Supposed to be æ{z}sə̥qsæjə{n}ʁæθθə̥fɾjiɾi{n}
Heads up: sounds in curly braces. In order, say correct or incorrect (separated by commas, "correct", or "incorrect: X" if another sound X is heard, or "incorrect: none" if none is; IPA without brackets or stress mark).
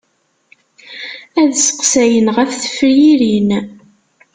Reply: incorrect: ð, correct, correct